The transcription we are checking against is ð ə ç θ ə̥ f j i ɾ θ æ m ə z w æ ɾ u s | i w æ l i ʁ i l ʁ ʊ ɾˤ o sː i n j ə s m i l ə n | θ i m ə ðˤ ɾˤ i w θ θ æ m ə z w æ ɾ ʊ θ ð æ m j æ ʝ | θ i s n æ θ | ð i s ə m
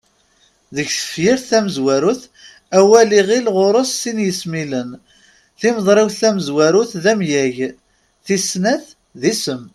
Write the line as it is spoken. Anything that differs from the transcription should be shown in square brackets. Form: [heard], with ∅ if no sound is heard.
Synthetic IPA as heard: ð ə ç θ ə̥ f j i ɾ θ æ m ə z w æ ɾ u [θ] | [æ] w æ l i ʁ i l ʁ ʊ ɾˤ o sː i n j ə s m i l ə n | θ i m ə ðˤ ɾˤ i w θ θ æ m ə z w æ ɾ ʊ θ ð æ m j æ ʝ | θ i s n æ θ | ð i s ə m